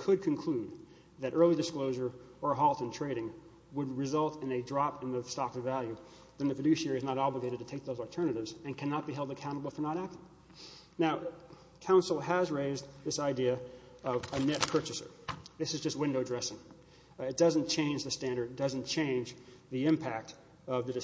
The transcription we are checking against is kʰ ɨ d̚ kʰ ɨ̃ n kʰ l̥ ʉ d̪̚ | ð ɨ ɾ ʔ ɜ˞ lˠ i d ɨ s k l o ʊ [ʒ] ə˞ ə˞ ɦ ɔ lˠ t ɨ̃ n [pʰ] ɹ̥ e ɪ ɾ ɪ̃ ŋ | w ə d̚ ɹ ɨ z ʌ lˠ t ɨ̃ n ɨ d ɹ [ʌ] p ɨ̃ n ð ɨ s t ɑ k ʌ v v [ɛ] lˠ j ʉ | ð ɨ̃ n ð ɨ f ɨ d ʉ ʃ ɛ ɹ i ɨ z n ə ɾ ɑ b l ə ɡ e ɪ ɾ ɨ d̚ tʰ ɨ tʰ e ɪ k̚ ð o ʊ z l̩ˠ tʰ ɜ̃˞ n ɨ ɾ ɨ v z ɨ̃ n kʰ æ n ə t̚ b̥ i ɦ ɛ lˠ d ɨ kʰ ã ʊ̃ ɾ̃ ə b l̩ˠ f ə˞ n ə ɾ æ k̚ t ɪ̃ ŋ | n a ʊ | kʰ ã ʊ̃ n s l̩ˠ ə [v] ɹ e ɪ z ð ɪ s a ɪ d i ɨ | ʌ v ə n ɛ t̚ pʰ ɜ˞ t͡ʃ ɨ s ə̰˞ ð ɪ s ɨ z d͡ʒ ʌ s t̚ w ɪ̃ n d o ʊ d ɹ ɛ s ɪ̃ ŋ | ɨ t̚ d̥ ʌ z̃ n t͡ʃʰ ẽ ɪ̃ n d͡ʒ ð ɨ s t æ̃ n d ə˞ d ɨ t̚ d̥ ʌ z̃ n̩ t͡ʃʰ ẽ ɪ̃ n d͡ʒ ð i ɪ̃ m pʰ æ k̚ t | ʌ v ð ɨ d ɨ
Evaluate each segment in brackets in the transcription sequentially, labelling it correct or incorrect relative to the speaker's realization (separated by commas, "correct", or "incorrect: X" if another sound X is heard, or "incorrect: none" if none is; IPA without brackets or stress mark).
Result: correct, incorrect: tʰ, incorrect: ɑ, incorrect: æ, incorrect: z